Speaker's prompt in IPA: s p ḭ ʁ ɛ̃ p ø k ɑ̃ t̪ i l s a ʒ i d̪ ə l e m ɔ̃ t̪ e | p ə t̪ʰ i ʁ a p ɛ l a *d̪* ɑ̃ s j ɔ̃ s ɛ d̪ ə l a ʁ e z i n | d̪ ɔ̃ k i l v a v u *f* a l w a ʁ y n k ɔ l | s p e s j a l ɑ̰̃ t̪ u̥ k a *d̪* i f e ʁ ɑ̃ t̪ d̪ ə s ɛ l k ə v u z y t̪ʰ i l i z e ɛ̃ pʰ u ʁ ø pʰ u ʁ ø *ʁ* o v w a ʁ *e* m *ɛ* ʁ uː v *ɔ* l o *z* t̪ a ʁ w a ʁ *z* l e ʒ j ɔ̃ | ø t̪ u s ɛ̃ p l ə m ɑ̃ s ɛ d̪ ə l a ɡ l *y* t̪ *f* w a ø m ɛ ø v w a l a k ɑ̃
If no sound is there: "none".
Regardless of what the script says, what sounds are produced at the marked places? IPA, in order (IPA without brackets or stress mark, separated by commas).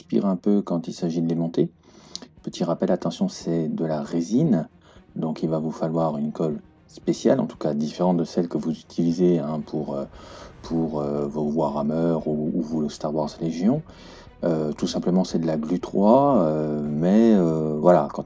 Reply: t̪, f, d̪, v, a, œ, u, s, z, y, χ